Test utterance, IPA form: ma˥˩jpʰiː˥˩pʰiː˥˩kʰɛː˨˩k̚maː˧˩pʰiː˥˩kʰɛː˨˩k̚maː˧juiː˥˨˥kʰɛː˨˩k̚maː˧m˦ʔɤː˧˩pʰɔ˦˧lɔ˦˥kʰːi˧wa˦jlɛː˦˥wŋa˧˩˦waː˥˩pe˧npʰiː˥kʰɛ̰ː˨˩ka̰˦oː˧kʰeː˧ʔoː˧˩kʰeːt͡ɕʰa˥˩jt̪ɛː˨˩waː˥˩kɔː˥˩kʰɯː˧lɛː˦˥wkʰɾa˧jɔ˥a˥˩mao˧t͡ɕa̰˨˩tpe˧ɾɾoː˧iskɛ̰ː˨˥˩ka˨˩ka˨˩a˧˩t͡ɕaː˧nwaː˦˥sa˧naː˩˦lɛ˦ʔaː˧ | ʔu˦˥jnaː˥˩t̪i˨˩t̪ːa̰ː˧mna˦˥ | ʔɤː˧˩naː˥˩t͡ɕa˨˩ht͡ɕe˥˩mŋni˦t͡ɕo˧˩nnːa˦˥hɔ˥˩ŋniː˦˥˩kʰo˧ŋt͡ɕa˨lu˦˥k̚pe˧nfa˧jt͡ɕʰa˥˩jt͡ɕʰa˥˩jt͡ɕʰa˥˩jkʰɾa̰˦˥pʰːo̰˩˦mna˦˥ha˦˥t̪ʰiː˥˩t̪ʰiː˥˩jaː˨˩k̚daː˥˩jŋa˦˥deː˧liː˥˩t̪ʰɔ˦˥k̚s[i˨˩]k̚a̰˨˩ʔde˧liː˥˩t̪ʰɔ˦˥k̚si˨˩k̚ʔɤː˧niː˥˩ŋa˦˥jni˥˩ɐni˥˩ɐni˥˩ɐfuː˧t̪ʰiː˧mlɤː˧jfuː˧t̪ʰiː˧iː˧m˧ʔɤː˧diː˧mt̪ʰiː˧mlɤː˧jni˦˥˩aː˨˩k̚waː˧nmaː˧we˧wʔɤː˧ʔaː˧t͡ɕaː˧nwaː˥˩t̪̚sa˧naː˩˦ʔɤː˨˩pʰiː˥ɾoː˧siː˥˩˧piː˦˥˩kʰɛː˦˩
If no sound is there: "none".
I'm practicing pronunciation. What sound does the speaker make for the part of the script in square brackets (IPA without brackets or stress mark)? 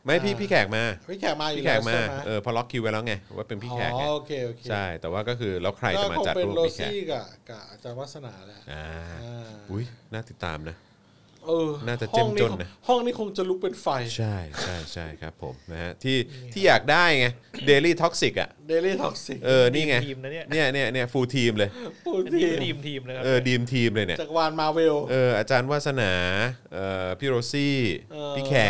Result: i˨˩